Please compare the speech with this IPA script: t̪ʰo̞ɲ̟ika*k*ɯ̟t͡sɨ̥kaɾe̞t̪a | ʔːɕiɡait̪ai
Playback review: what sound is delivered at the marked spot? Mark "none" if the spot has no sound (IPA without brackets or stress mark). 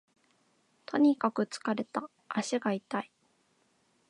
k